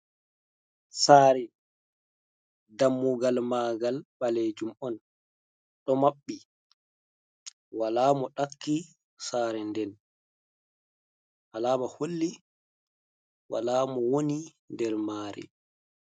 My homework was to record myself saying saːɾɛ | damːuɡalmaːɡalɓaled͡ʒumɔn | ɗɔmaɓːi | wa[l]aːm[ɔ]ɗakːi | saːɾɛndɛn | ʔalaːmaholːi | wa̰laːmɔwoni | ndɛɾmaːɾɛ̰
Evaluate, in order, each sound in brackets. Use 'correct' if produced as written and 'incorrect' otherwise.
correct, correct

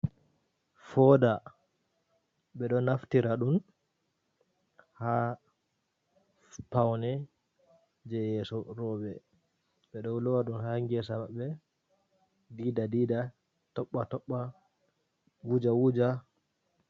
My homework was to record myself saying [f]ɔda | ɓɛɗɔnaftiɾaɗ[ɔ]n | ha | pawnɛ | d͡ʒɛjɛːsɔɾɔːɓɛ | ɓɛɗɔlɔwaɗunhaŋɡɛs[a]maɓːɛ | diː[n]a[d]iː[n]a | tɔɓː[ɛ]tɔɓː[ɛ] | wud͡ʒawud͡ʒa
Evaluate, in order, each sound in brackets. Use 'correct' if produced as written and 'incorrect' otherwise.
correct, incorrect, correct, incorrect, correct, incorrect, incorrect, incorrect

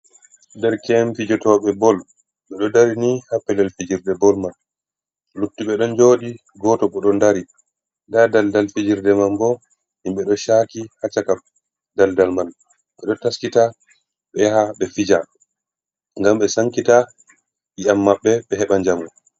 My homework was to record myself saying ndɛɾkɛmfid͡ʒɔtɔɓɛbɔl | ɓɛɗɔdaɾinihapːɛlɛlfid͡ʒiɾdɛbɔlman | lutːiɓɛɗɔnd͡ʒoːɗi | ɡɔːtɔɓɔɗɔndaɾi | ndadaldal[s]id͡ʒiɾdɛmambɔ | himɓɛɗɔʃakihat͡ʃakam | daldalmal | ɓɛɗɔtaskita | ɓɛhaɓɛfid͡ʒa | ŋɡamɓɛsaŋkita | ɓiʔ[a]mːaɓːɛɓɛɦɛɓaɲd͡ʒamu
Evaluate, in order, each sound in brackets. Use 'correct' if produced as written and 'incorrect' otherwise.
incorrect, correct

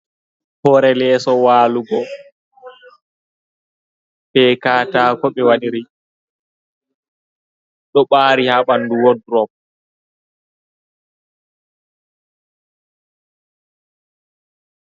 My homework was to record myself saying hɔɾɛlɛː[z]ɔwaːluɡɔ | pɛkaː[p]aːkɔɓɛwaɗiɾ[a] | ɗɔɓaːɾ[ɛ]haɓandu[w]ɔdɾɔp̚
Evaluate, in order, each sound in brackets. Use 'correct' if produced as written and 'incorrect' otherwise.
incorrect, incorrect, incorrect, incorrect, correct

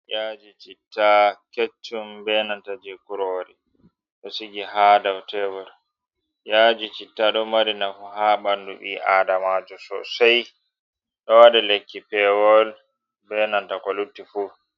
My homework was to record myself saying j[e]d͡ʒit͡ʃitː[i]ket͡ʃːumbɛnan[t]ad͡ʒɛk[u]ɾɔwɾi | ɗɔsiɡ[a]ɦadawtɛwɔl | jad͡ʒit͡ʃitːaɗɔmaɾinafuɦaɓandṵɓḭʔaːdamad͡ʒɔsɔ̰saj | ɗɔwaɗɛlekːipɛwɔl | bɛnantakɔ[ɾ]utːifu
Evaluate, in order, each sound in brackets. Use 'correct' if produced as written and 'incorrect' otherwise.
incorrect, incorrect, correct, correct, incorrect, incorrect

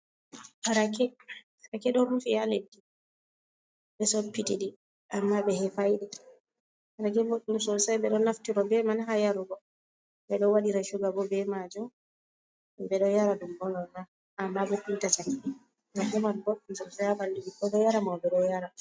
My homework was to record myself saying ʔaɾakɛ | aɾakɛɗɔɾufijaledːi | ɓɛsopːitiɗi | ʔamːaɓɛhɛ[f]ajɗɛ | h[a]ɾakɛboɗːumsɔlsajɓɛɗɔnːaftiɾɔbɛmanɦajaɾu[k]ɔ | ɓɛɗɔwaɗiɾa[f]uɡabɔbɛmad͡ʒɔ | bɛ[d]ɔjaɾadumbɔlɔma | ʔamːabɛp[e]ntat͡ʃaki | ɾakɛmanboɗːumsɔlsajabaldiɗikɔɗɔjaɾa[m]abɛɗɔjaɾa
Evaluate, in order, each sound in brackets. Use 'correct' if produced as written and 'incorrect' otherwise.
correct, correct, incorrect, incorrect, incorrect, incorrect, correct

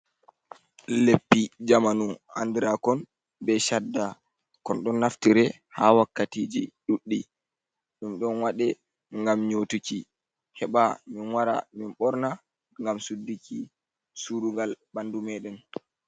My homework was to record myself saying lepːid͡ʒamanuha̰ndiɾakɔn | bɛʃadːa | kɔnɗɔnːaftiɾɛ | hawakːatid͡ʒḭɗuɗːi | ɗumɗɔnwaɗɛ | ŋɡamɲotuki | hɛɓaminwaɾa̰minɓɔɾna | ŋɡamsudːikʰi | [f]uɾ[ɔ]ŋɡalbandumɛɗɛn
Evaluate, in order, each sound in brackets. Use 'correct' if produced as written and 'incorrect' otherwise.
incorrect, incorrect

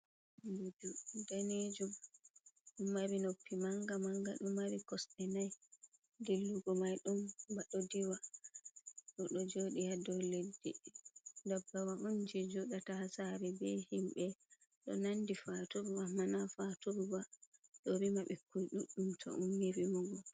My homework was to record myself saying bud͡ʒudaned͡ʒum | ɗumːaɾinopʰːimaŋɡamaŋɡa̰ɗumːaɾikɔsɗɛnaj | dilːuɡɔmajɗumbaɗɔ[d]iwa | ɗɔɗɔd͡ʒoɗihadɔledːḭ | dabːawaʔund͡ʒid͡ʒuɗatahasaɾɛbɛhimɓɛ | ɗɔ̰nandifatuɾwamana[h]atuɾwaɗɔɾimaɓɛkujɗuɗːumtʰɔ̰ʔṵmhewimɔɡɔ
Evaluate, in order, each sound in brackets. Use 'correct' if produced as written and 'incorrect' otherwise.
correct, incorrect

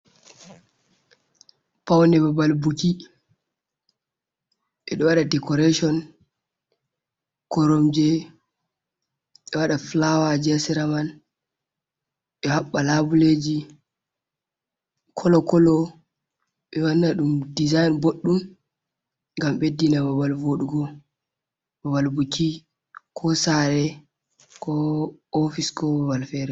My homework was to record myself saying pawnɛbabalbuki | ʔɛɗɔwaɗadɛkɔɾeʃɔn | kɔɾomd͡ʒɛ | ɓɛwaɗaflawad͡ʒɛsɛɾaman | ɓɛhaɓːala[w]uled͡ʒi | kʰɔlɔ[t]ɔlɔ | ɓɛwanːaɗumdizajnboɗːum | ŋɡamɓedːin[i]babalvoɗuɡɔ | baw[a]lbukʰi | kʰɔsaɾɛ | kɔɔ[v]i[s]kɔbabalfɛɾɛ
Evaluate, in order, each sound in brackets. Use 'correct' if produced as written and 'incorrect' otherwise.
incorrect, incorrect, incorrect, correct, incorrect, correct

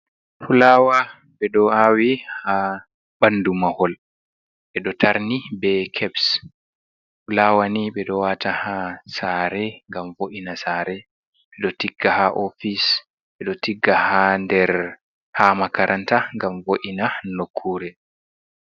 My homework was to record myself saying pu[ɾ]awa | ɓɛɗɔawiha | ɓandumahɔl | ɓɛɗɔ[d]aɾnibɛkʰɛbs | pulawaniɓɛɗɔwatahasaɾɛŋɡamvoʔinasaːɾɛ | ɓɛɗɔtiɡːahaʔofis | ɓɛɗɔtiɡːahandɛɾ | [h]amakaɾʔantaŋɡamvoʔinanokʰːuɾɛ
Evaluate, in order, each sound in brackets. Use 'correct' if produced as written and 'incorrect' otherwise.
incorrect, incorrect, correct

